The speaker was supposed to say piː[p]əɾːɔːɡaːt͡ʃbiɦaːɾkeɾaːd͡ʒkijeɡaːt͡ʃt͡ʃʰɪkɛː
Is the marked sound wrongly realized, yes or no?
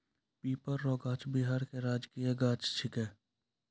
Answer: no